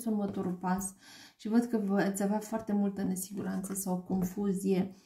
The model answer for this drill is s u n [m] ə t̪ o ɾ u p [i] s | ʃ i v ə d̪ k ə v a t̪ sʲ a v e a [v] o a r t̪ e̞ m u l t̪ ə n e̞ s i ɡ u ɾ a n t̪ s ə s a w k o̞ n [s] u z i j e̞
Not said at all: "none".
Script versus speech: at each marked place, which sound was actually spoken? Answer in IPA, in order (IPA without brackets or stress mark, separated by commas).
m, a, f, f